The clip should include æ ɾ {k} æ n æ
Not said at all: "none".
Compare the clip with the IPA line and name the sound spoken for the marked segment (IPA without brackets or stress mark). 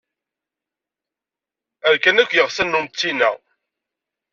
k